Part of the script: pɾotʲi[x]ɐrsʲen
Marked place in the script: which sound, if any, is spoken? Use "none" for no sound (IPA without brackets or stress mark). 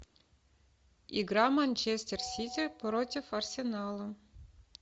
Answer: f